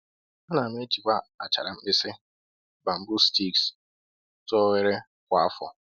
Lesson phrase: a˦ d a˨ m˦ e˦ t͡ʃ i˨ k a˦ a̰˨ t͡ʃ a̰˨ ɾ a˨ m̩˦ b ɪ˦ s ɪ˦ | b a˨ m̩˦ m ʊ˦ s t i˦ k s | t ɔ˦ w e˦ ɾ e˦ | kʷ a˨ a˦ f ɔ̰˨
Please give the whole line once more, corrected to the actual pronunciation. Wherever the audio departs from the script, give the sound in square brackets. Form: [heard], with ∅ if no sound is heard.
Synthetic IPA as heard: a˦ [n] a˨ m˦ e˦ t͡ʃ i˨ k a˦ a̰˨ t͡ʃ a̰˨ ɾ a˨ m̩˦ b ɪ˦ s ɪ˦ | b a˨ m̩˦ [b] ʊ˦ s t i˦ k s | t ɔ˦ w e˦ ɾ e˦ | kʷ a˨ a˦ f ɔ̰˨